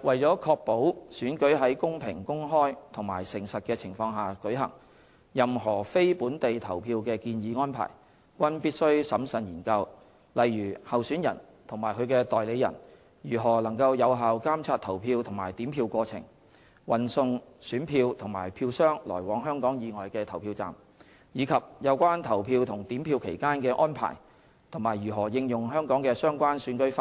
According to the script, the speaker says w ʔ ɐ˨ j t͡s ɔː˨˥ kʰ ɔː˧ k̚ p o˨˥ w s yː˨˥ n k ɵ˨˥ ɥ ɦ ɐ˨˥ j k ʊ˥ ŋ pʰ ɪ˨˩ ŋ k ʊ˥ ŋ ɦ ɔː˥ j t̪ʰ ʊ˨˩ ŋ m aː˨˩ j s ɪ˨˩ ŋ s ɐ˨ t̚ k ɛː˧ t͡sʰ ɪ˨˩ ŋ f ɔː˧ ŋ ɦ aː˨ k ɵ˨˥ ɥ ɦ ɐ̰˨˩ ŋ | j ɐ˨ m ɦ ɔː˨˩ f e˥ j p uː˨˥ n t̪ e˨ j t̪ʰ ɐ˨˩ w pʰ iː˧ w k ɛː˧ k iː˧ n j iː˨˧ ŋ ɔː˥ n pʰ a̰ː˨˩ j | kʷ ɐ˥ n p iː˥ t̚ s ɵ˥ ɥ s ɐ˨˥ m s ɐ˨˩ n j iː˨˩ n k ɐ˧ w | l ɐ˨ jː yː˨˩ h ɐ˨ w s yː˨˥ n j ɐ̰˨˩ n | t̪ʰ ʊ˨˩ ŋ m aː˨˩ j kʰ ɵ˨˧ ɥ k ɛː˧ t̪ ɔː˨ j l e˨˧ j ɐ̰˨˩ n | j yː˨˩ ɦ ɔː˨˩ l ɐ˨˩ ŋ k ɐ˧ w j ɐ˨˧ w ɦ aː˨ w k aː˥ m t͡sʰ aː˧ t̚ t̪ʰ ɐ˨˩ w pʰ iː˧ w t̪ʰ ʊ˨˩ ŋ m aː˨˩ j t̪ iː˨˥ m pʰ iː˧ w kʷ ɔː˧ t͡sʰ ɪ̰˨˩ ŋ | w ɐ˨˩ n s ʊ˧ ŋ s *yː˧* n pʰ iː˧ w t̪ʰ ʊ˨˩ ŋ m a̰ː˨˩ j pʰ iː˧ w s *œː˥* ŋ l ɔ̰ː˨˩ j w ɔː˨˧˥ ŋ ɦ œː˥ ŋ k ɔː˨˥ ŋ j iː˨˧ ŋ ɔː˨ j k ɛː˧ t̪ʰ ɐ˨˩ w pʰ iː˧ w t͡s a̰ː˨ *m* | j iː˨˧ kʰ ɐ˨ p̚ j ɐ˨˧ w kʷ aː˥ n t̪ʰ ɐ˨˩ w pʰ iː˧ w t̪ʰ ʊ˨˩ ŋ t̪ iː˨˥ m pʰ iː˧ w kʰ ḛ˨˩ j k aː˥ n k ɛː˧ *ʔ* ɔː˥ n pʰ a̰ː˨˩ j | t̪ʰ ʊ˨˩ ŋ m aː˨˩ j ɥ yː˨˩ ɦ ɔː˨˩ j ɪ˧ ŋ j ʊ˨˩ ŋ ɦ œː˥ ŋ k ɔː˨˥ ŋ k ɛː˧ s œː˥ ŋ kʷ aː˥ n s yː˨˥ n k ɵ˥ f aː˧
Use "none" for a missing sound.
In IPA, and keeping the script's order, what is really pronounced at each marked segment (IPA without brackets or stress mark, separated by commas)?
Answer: yː˨˥, œː˥, m, ʔ